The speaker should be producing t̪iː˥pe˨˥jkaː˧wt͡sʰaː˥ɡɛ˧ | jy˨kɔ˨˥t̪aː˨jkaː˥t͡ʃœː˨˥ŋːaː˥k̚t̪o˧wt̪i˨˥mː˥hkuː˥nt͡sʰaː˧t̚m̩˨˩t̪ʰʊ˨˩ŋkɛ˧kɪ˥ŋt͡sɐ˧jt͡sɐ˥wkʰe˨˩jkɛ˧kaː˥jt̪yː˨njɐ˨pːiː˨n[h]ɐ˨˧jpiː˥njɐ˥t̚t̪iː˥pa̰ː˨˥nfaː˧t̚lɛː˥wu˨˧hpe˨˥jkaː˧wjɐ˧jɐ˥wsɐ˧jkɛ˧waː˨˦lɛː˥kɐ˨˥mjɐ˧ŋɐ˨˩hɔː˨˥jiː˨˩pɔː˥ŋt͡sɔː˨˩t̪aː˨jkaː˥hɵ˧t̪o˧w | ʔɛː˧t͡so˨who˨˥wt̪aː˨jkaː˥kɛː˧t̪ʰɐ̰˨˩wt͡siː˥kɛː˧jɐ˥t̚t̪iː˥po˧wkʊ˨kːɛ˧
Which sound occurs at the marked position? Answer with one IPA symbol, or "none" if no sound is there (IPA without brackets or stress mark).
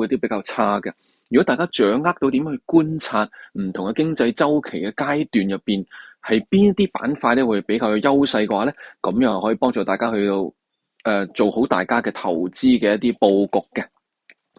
h